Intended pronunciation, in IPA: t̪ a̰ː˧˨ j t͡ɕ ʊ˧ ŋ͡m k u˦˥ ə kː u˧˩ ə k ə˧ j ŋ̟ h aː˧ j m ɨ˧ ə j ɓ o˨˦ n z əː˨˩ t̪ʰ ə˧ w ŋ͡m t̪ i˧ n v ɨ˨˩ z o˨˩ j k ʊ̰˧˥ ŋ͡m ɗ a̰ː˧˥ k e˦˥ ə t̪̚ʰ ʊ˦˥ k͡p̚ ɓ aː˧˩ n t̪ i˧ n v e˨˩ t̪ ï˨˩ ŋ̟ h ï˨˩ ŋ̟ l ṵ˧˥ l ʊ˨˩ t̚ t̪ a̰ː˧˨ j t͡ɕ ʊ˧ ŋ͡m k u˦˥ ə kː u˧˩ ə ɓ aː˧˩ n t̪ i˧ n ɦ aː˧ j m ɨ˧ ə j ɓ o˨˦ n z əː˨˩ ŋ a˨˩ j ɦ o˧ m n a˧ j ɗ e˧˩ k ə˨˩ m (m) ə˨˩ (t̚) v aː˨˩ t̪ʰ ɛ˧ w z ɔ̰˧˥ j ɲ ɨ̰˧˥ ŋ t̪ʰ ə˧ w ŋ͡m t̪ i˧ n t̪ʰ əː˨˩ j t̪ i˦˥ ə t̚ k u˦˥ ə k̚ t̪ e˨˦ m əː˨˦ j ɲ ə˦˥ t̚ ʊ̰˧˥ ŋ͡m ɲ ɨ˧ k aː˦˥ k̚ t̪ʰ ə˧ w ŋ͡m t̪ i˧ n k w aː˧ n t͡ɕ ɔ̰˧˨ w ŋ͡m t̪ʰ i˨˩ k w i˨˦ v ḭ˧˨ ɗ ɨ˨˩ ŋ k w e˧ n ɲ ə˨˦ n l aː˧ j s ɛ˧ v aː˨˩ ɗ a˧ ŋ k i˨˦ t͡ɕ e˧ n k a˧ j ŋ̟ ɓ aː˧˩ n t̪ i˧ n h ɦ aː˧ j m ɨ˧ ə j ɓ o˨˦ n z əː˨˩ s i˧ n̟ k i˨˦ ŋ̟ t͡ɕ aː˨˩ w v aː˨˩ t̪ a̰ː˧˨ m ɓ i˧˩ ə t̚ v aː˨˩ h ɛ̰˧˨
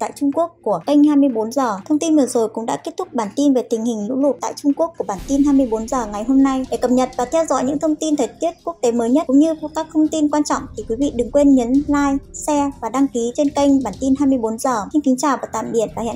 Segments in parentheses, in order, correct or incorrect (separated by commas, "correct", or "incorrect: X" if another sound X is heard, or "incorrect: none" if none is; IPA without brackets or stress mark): incorrect: ɲ, correct